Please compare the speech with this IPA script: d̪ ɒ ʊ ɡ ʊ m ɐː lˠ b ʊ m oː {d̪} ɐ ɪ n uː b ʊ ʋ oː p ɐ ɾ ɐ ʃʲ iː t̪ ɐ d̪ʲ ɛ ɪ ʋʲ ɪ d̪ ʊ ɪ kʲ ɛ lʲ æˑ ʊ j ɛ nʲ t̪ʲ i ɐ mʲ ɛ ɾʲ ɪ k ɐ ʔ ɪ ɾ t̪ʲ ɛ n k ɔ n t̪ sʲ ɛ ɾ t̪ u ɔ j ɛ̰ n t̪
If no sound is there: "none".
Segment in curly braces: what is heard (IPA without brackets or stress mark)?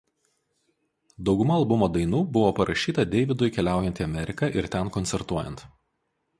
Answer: d̪